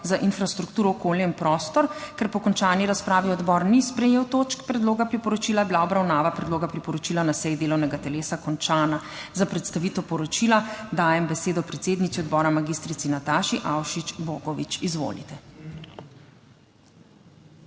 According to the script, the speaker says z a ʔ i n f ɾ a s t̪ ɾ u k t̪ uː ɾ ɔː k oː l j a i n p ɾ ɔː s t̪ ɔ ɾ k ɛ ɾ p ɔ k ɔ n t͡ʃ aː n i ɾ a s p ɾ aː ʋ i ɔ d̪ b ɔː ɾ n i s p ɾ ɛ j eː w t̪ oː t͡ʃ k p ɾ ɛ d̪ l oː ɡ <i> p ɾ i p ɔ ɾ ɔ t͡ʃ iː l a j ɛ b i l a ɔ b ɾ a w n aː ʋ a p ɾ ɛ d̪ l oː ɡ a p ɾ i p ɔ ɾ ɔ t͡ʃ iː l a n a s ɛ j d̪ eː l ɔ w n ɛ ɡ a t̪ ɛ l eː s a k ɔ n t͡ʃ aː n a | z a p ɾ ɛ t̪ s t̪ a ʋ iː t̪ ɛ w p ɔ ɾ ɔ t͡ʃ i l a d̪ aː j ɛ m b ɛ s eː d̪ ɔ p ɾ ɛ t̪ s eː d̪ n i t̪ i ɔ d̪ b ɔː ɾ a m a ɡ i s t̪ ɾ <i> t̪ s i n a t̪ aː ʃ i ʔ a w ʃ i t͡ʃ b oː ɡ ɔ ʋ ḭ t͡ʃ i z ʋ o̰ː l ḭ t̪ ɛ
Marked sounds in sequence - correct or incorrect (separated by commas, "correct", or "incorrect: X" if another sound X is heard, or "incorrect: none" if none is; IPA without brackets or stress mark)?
incorrect: a, correct